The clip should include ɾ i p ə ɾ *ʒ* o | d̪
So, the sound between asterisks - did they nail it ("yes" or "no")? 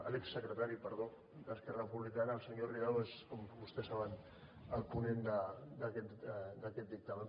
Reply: no